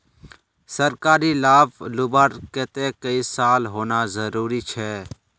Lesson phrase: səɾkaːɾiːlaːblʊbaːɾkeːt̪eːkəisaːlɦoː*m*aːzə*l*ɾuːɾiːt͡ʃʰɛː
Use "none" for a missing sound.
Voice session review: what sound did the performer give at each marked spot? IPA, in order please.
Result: n, none

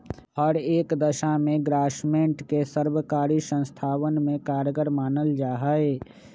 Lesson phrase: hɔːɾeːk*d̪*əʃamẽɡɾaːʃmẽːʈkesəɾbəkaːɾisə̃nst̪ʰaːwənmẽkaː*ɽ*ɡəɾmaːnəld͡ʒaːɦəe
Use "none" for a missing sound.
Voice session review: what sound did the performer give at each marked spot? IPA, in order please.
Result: d̪, ɾ

